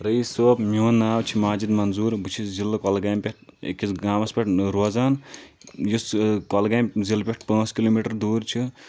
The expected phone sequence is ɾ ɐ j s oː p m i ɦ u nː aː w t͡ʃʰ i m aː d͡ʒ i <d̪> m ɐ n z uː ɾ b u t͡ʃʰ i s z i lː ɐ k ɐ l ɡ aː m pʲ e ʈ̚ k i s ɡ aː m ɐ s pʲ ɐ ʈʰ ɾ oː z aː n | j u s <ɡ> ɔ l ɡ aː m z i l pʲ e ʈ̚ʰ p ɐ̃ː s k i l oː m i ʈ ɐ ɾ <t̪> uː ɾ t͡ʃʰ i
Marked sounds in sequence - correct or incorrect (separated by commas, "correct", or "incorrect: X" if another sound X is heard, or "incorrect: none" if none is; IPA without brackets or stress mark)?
correct, incorrect: k, incorrect: d̪